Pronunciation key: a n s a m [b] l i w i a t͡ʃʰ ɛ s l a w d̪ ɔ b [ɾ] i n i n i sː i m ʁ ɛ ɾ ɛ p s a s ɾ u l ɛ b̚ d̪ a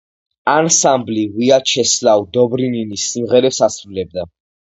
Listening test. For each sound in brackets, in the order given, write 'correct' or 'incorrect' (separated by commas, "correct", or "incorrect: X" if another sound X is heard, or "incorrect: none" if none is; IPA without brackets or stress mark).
correct, correct